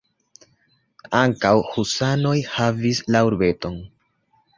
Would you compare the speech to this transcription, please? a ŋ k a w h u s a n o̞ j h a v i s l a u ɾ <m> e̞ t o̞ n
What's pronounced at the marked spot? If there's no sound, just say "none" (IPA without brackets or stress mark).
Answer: b